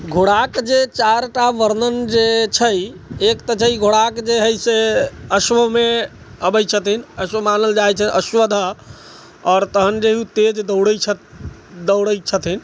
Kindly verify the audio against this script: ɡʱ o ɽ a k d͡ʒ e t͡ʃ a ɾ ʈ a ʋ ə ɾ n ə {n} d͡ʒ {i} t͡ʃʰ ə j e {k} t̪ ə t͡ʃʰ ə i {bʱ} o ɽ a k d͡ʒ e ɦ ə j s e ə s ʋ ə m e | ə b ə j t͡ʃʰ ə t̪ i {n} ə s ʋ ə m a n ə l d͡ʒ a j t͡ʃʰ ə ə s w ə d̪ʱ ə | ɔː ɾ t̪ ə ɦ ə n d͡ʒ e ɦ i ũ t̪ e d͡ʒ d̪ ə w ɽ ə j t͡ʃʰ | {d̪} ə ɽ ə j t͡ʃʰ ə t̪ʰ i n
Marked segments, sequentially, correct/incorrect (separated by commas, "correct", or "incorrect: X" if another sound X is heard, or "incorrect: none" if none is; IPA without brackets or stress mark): correct, incorrect: e, correct, incorrect: ɡʱ, correct, correct